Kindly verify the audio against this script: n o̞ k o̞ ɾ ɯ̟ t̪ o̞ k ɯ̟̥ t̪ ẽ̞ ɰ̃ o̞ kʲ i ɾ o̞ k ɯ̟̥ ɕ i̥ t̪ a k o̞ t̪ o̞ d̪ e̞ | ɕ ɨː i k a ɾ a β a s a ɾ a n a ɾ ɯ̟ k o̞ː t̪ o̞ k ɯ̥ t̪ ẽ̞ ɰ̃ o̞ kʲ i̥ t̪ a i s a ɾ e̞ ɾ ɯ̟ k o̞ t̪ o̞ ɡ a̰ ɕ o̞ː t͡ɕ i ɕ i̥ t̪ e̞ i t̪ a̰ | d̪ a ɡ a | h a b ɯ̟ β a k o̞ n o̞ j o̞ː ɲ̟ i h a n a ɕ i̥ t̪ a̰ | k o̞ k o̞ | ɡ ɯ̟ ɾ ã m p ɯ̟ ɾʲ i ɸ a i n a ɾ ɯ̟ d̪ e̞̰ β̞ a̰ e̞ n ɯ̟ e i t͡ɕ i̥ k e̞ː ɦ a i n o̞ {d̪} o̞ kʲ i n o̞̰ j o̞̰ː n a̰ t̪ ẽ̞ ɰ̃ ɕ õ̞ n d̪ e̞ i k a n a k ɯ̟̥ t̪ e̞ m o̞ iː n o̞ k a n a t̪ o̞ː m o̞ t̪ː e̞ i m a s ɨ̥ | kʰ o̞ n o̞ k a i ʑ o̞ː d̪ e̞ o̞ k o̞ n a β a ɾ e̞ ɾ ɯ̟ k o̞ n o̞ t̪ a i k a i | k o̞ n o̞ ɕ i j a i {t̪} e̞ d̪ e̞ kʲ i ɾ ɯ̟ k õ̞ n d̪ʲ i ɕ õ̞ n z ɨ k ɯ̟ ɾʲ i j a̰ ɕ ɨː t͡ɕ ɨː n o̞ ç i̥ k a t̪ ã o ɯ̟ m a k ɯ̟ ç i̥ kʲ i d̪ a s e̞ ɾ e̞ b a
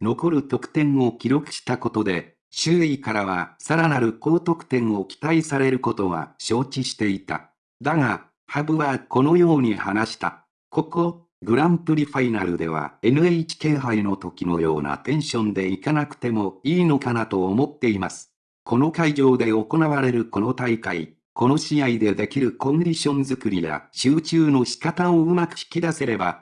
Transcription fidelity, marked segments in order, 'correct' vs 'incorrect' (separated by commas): incorrect, incorrect